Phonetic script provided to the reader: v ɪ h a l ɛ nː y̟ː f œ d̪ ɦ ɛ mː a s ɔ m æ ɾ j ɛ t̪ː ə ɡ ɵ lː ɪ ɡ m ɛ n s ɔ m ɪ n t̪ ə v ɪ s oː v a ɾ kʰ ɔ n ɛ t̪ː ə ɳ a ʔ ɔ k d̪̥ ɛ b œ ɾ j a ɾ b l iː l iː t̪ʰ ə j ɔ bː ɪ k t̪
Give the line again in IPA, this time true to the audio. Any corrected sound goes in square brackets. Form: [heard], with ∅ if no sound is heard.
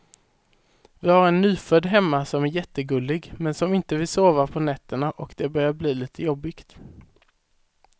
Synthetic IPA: v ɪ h a [ɾ] ɛ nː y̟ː f œ d̪ ɦ ɛ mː a s ɔ m æ ɾ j ɛ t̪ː ə ɡ ɵ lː ɪ ɡ m ɛ n s ɔ m ɪ n t̪ ə v ɪ s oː v a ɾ [pʰ] ɔ n ɛ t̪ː ə ɳ a ʔ ɔ k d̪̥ ɛ b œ ɾ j a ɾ b l iː l iː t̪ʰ ə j ɔ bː ɪ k t̪